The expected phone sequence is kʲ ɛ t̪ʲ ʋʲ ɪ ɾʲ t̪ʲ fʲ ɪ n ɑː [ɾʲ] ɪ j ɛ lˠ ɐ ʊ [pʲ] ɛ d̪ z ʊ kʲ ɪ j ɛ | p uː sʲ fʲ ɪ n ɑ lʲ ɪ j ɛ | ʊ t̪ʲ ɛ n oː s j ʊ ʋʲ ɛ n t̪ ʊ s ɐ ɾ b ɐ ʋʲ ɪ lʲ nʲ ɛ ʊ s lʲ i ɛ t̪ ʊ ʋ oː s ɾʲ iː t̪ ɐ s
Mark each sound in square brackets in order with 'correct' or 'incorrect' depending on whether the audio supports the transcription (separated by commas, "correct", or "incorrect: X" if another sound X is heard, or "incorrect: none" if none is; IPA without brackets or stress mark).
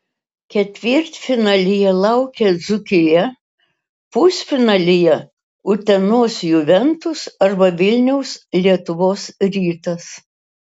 incorrect: lʲ, incorrect: kʲ